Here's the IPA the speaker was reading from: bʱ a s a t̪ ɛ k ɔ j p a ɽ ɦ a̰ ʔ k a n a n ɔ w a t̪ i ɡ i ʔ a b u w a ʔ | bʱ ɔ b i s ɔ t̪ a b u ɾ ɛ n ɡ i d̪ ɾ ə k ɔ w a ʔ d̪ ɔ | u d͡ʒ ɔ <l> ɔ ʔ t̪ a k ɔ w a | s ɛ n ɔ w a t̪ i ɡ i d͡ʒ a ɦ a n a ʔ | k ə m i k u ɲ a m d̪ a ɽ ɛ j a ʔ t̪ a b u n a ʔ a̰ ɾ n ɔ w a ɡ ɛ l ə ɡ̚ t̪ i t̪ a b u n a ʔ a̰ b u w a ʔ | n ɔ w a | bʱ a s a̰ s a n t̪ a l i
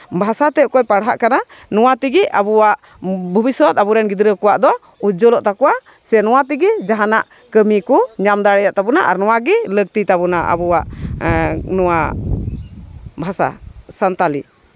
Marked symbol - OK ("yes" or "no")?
yes